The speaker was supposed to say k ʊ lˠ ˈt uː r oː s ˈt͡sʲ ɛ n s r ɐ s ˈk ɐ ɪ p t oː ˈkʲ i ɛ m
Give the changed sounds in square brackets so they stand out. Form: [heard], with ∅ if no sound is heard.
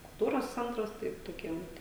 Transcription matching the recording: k ʊ lˠ ˈt uː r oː s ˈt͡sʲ ɛ n [t] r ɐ s [ˈt] ɐ ɪ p t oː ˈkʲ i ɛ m